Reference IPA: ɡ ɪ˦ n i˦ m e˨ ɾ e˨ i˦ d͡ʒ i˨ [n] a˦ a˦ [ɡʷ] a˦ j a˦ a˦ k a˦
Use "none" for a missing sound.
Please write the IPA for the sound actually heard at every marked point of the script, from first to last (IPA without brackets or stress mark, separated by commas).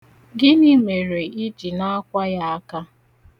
n, kʷ